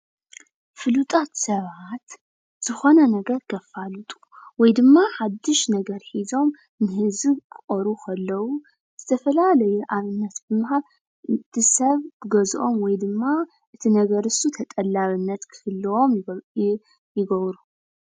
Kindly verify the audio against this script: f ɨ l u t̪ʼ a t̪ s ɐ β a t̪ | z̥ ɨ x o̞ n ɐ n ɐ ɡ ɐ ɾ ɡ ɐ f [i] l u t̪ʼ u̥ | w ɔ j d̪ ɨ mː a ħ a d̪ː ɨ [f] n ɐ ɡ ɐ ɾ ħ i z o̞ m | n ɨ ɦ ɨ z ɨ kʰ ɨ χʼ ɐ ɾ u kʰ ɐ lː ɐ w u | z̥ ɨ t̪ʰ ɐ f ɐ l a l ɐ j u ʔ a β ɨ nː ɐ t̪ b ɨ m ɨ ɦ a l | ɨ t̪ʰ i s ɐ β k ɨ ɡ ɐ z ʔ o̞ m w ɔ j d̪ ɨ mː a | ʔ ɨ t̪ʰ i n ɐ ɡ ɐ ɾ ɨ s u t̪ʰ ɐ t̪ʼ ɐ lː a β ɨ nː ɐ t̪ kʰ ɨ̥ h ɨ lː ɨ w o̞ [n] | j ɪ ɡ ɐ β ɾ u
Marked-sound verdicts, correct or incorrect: incorrect, incorrect, incorrect

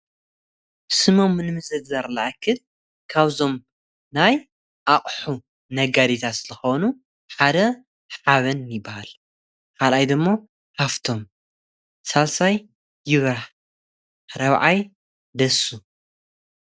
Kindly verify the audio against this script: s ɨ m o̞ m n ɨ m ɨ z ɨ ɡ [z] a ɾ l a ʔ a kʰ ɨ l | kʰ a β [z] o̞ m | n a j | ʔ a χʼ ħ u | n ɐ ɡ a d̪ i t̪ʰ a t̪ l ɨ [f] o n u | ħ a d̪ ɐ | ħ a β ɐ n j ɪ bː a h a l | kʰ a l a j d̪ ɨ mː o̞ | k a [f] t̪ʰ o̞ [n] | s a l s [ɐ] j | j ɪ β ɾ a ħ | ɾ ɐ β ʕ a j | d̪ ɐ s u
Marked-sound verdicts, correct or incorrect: correct, correct, incorrect, correct, incorrect, incorrect

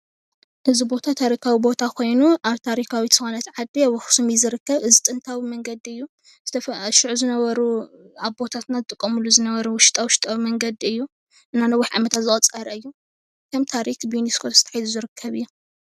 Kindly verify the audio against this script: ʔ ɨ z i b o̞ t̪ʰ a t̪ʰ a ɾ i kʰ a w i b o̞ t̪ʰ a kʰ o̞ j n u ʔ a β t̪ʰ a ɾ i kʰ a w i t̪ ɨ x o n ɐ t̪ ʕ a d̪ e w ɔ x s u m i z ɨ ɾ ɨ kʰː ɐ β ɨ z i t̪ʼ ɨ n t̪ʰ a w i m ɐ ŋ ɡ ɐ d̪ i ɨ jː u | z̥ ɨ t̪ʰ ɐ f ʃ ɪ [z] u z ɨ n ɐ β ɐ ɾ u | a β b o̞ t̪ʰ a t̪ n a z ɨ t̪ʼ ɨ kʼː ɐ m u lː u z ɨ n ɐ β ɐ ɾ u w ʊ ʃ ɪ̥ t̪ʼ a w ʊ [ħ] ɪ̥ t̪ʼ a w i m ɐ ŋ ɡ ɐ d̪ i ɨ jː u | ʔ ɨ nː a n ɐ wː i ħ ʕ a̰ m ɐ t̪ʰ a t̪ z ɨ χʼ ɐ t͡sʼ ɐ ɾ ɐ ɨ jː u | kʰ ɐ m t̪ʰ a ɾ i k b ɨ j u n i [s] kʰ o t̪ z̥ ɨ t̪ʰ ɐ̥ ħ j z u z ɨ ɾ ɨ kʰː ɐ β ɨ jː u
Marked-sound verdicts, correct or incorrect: incorrect, incorrect, correct

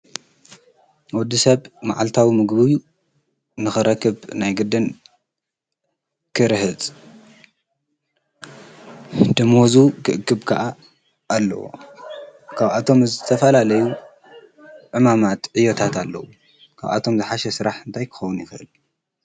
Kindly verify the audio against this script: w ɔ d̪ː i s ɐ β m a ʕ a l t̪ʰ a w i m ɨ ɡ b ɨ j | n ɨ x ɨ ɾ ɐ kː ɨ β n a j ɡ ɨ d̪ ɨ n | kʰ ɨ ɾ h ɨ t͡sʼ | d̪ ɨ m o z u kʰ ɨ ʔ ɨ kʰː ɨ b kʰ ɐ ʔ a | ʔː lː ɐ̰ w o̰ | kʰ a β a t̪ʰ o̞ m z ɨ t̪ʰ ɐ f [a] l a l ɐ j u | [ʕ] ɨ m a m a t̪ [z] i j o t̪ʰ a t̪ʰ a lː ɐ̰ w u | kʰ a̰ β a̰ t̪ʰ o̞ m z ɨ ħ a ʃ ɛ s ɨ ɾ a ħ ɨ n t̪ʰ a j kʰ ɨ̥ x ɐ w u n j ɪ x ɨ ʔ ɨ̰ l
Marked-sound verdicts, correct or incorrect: incorrect, correct, incorrect

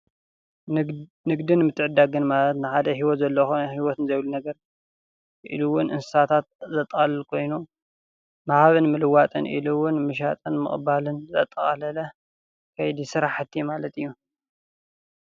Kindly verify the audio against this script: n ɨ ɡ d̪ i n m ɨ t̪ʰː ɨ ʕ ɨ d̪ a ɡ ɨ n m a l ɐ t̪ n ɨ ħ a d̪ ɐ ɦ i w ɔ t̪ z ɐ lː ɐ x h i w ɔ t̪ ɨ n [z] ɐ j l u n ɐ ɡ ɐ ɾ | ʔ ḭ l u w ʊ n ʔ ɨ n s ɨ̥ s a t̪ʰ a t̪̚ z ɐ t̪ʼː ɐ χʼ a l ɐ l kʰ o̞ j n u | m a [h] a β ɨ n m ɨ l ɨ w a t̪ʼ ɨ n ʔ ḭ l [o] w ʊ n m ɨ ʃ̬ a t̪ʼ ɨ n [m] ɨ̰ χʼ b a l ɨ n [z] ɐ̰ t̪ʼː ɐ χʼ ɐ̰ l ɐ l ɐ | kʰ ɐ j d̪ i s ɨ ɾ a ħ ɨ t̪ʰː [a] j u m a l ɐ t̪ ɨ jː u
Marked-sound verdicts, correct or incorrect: correct, correct, incorrect, correct, correct, incorrect

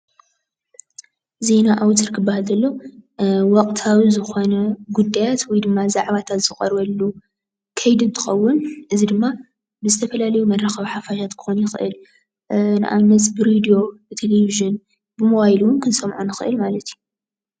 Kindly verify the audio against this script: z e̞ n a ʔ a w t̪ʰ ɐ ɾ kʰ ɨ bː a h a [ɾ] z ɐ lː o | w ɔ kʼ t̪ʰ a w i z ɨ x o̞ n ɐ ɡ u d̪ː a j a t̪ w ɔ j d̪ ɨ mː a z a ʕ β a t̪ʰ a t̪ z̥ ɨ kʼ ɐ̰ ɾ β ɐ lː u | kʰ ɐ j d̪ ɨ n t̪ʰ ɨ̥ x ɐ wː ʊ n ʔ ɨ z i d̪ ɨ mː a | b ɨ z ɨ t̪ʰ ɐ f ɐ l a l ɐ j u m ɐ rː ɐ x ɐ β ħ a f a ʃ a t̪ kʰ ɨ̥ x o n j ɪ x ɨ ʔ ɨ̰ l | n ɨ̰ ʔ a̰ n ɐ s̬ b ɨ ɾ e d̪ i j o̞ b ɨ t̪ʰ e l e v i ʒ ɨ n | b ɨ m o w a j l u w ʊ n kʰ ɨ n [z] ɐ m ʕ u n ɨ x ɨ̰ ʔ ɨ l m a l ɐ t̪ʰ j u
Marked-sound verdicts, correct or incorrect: incorrect, incorrect

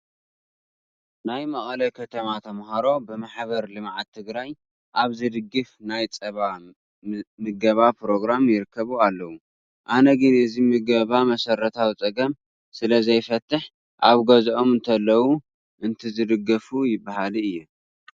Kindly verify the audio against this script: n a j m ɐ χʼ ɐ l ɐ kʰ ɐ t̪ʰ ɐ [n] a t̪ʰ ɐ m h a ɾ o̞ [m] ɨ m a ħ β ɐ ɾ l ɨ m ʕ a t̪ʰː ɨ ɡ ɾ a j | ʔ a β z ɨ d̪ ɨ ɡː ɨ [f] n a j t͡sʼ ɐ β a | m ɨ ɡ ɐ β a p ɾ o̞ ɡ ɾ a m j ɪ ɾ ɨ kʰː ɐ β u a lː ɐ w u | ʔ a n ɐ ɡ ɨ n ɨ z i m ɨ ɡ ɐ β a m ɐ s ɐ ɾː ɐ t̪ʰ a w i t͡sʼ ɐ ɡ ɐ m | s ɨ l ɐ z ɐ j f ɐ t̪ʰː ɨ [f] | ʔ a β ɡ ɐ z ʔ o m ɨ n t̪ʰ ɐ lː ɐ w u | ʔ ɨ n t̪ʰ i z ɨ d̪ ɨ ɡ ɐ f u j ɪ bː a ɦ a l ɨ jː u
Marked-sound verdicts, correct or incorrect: incorrect, incorrect, correct, incorrect

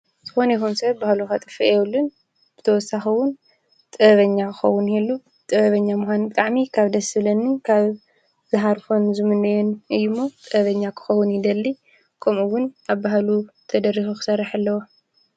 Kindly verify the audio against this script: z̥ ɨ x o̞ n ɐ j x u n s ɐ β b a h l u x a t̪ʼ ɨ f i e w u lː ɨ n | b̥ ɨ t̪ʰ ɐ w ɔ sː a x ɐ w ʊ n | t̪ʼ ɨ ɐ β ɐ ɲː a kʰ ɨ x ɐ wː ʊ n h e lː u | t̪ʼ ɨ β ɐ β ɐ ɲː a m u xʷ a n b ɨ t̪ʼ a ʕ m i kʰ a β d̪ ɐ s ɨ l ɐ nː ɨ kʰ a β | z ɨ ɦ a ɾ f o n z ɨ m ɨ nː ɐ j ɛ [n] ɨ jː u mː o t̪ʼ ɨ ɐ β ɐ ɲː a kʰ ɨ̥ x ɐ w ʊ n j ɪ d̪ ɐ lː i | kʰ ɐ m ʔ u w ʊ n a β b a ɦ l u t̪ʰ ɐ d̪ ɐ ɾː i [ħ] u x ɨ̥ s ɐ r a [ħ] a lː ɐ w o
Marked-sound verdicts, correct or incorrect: correct, incorrect, correct

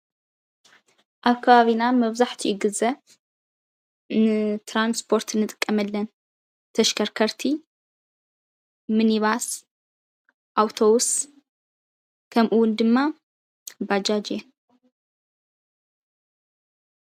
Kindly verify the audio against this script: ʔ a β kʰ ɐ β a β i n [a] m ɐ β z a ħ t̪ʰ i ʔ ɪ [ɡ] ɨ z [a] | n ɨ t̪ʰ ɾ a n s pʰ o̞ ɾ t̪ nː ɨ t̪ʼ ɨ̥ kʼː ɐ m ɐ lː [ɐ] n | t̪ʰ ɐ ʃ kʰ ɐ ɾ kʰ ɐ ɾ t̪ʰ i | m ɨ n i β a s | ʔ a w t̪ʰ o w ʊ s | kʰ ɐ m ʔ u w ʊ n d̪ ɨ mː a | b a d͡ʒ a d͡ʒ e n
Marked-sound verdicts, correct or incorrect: correct, correct, incorrect, correct

